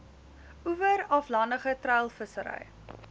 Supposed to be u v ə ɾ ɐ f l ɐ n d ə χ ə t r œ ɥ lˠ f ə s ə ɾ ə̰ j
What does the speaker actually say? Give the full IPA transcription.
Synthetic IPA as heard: u v ə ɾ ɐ f l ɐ n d ə χ ə t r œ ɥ lˠ f ə s ə ɾ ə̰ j